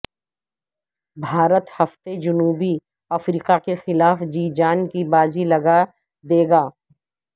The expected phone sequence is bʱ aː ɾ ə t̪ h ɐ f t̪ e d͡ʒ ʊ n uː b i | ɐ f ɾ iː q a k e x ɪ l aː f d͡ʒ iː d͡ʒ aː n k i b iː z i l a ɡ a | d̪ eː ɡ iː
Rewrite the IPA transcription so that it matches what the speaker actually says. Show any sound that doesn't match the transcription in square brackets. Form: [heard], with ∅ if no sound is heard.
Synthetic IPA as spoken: bʱ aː ɾ ə t̪ h ɐ f t̪ e d͡ʒ ʊ n uː b i | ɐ f ɾ iː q a k e x ɪ l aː f d͡ʒ iː d͡ʒ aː n k i b [aː] z i l [ɐ] ɡ a | d̪ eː ɡ [aː]